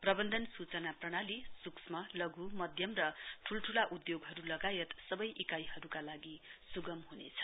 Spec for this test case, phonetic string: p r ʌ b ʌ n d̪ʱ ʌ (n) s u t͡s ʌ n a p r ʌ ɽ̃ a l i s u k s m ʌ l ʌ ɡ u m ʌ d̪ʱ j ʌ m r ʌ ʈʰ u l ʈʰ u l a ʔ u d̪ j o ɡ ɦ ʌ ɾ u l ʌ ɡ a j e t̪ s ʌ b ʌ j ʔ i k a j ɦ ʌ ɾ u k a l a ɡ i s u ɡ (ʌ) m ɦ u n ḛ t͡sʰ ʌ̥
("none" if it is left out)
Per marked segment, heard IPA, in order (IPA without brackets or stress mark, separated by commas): n, ʌ